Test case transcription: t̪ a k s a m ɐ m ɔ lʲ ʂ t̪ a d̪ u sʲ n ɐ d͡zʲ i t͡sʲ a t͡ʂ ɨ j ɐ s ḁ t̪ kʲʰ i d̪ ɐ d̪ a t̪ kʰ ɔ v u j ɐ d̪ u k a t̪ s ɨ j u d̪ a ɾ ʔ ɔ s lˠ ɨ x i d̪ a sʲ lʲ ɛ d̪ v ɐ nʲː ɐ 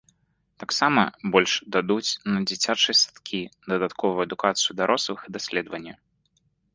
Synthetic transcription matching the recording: t̪ a k s a m ɐ b ɔ lʲ ʂ d̪ a d̪ u t͡sʲ n ɐ d͡zʲ i t͡sʲ a t͡ʂ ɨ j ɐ s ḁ t̪ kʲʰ i d̪ ɐ d̪ a t̪ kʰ ɔ v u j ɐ d̪ u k a t̪ s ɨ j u d̪ a ɾ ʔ ɔ s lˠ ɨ x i d̪ a sʲ lʲ ɛ d̪ v ɐ nʲː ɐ

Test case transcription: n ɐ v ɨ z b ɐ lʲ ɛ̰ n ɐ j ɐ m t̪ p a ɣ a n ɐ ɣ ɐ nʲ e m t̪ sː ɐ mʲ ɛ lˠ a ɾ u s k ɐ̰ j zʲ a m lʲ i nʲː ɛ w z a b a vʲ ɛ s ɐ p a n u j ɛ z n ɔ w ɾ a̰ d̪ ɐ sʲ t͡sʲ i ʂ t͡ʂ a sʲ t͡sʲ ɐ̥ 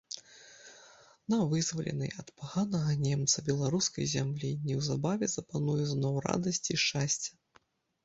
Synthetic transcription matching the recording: n ɐ v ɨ z v ɐ lʲ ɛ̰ n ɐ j ɐ t̪ p a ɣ a n ɐ ɣ ɐ nʲ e m t̪ s ɐ bʲ ɛ lˠ a ɾ u s k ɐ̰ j zʲ a m lʲ i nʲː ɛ w z a b a vʲ ɛ z ɐ p a n u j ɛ z n ɔ w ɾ a̰ d̪ ɐ sʲ t͡sʲ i ʂ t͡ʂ a sʲ t͡sʲ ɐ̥

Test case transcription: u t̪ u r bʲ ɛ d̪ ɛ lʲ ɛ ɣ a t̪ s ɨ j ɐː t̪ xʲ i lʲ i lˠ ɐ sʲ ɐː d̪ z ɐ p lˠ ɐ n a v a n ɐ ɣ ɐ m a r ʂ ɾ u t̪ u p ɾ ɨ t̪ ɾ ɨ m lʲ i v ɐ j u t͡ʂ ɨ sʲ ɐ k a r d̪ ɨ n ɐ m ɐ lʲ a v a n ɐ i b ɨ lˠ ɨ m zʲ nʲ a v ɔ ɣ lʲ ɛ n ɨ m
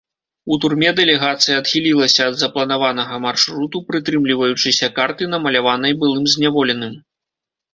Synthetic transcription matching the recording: u t̪ u r mʲ ɛ d̪ ɛ lʲ ɛ ɣ a t̪ s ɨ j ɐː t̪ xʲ i lʲ i lˠ ɐ sʲ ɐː d̪ z ɐ p lˠ ɐ n a v a n ɐ ɣ ɐ m a r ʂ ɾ u t̪ u p ɾ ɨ t̪ ɾ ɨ m lʲ i v ɐ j u t͡ʂ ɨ sʲ ɐ k a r t̪ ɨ n ɐ m ɐ lʲ a v a n ɐ j b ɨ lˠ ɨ m zʲ nʲ a v ɔ lʲ ɛ n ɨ m

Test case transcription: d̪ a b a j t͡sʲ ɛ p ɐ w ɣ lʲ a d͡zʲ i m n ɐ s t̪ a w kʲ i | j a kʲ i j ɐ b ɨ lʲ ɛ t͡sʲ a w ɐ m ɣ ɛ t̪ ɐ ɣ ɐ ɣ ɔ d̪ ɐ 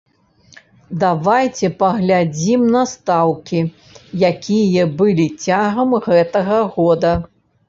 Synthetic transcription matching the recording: d̪ a v a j t͡sʲ ɛ p ɐ ɣ lʲ a d͡zʲ i m n ɐ s t̪ a w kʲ i | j a kʲ i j ɐ b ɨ lʲ i t͡sʲ a ɣ ɐ m ɣ ɛ t̪ ɐ ɣ ɐ ɣ ɔ d̪ ɐ

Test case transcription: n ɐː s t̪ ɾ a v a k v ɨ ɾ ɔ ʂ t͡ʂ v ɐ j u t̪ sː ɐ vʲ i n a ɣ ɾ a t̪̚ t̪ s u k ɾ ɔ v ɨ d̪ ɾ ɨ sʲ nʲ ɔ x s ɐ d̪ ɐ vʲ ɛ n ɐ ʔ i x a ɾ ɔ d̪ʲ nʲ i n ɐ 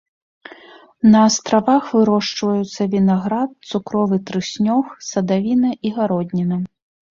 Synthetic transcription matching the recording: n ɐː s t̪ ɾ a v a x v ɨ ɾ ɔ ʂ t͡ʂ v ɐ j u t̪ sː ɐ vʲ i n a ɣ ɾ a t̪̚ t̪ s u k ɾ ɔ v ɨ t̪ ɾ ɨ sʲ nʲ ɔ x s ɐ d̪ a vʲ i n ɐ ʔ i ɣ a ɾ ɔ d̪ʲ nʲ i n ɐ

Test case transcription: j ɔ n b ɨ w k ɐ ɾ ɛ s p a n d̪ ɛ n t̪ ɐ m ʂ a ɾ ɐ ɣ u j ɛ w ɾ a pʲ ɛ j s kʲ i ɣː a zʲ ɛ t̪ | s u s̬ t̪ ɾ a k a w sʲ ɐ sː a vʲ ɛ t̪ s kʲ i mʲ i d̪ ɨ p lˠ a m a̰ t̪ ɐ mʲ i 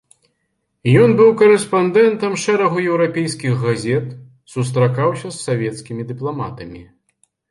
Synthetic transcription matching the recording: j ɔ n b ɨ w k ɐ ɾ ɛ s p a n d̪ ɛ n t̪ ɐ m ʂ ɛ ɾ ɐ ɣ u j ɛ w ɾ a pʲ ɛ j s kʲ i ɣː a zʲ ɛ t̪ | s u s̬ t̪ ɾ a k a w sʲ ɐ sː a vʲ ɛ t̪ s kʲ i mʲ i d̪ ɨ p lˠ a m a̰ t̪ ɐ mʲ i

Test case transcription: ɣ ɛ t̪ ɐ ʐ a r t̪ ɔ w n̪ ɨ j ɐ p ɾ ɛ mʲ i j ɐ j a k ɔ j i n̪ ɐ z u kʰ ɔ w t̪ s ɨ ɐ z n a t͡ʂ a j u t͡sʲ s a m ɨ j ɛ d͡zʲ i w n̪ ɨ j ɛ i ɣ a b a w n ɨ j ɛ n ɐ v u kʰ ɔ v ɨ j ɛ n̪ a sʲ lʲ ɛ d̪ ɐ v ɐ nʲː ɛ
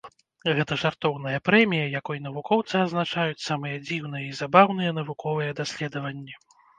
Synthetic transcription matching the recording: ɣ ɛ t̪ ɐ ʐ a r t̪ ɔ w n̪ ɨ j ɐ p ɾ ɛ mʲ i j ɐ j a k ɔ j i n̪ ɐ v u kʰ ɔ w t̪ s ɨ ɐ z n a t͡ʂ a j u t͡sʲ s a m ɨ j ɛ d͡zʲ i w n̪ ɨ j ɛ i z a b a w n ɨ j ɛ n ɐ v u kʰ ɔ v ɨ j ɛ d̪ a sʲ lʲ ɛ d̪ ɐ v ɐ nʲː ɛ

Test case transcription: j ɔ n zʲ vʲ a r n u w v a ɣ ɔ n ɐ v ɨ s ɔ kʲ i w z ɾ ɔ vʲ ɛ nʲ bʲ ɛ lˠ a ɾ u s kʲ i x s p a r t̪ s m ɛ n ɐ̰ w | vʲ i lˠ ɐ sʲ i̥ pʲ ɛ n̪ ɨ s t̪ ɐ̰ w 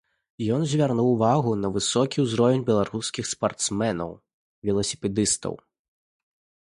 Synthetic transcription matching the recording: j ɔ n zʲ vʲ a r n u w v a ɣ u n ɐ v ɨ s ɔ kʲ i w z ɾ ɔ vʲ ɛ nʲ bʲ ɛ lˠ a ɾ u s kʲ i x s p a r t̪ s m ɛ n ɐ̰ w | vʲ ɛ lˠ ɐ sʲ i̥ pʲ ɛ d̪ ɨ s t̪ ɐ̰ w

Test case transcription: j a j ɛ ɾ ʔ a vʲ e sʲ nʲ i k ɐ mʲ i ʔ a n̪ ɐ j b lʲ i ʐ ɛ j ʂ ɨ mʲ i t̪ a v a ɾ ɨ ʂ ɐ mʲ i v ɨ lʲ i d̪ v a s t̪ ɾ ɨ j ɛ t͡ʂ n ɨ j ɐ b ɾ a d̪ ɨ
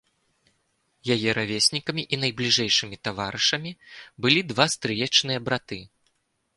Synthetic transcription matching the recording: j a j ɛ ɾ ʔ a vʲ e sʲ nʲ i k ɐ mʲ i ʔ i n̪ ɐ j b lʲ i ʐ ɛ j ʂ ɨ mʲ i t̪ a v a ɾ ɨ ʂ ɐ mʲ i b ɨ lʲ i d̪ v a s t̪ ɾ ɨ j ɛ t͡ʂ n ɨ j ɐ b ɾ a t̪ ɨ

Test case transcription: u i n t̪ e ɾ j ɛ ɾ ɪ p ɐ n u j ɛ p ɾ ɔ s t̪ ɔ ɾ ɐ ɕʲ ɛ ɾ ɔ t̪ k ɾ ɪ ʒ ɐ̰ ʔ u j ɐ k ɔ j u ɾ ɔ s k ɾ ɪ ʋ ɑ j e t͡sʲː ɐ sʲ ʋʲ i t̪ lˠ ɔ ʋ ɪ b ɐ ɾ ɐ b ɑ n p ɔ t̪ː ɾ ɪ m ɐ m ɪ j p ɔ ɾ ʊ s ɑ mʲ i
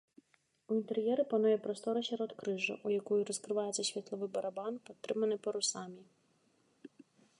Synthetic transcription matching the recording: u i n t̪ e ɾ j ɛ ɾ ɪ p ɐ n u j ɛ p ɾ ɔ s t̪ ɔ ɾ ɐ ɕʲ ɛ ɾ ɔ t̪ k ɾ ɪ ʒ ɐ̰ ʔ u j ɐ k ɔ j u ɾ ɔ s k ɾ ɪ ʋ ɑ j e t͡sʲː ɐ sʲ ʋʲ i t̪ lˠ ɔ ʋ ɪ b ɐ ɾ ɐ b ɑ n p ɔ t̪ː ɾ ɪ m ɐ n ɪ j p ɔ ɾ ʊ s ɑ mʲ i

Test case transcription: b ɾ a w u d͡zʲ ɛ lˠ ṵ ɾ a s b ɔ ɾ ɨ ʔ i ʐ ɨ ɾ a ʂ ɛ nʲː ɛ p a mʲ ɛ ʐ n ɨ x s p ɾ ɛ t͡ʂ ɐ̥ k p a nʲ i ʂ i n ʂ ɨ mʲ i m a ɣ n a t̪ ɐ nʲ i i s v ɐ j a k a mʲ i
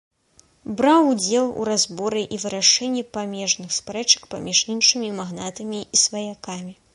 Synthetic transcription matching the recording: b ɾ a w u d͡zʲ ɛ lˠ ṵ ɾ a z b ɔ ɾ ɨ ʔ i v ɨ ɾ a ʂ ɛ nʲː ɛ p a mʲ ɛ ʐ n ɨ x s p ɾ ɛ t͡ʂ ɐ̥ k p a mʲ i ʂ i n ʂ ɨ mʲ i m a ɣ n a t̪ ɐ mʲ i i s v ɐ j a k a mʲ i

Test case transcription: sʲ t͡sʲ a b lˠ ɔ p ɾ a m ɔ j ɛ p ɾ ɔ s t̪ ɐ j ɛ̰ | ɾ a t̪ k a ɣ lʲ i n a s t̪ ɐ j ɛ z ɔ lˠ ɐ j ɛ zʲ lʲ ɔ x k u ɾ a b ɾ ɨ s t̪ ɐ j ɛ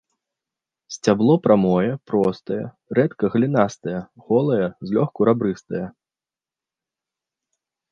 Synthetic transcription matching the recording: sʲ t͡sʲ a b lˠ ɔ p ɾ a m ɔ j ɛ p ɾ ɔ s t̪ ɐ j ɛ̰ | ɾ ɛ t̪ k ɐ ɣ lʲ i n a s t̪ ɐ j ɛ ɣ ɔ lˠ ɐ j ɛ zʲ lʲ ɔ x k u ɾ a b ɾ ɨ s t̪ ɐ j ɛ

